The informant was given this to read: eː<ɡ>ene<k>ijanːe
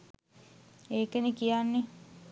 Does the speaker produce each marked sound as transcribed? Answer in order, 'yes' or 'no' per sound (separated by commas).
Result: no, yes